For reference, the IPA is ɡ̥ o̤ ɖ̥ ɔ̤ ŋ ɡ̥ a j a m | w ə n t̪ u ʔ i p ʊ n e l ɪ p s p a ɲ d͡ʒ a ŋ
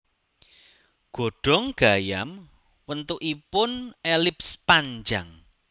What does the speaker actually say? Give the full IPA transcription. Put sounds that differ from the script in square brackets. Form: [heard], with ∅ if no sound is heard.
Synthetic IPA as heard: ɡ̥ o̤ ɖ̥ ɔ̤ ŋ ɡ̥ a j a m | w ə n t̪ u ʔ i p ʊ n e l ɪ p s p a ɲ d͡ʒ a ŋ